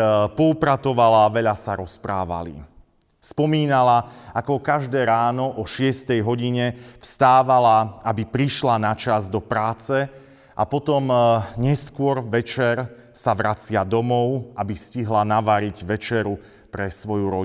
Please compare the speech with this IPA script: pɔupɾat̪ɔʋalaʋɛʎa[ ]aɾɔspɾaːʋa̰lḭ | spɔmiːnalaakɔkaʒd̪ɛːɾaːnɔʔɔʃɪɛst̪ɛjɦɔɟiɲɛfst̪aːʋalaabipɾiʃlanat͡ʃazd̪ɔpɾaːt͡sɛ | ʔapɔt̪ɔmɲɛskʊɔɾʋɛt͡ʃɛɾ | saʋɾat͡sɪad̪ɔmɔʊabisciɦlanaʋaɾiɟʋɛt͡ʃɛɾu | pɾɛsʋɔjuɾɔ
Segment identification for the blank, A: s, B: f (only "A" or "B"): A